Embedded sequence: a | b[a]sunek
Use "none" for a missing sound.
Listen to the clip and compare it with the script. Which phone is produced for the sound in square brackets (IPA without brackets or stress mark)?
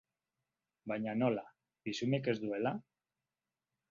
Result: i